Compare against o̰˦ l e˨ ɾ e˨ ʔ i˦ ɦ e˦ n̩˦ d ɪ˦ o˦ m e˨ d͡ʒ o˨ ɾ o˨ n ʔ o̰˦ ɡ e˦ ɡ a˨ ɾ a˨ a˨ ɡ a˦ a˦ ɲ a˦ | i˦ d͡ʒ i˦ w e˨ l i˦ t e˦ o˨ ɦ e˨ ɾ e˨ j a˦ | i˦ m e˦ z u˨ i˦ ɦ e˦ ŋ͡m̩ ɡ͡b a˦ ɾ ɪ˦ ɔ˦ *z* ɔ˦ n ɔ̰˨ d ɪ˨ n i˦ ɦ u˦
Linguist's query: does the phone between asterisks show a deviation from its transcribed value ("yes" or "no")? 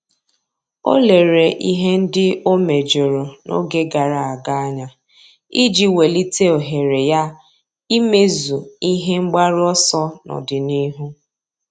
yes